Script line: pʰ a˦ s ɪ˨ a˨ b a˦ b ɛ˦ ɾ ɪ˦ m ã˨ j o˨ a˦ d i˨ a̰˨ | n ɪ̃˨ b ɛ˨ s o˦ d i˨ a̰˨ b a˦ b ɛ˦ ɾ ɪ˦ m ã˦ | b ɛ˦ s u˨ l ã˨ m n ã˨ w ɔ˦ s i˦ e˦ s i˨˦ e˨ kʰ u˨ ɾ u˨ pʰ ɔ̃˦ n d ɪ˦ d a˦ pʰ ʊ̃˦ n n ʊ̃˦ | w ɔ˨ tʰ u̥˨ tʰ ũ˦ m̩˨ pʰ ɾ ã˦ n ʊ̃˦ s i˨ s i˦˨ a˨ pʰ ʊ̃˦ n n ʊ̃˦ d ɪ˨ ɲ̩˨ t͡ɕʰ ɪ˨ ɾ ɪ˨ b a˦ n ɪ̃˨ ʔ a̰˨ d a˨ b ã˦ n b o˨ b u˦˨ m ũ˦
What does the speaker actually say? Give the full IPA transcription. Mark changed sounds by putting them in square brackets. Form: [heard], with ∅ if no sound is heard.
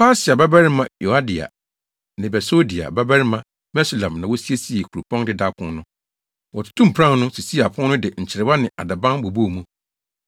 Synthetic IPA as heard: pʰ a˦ s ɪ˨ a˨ b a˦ b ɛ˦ ɾ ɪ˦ m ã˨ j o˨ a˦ d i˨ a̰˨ | n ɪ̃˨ b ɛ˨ s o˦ d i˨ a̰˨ b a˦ b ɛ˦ ɾ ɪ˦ m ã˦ | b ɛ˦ s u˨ l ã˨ m n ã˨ w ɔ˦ s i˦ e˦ s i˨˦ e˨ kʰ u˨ ɾ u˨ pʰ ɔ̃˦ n d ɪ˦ d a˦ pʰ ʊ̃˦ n n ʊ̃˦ | w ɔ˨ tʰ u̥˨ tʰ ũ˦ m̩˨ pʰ ɾ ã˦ n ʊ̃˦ s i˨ s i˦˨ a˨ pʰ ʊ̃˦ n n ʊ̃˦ d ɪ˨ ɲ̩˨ t͡ɕʰ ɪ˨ ɾ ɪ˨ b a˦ n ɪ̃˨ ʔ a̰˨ d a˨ b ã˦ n b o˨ b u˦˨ m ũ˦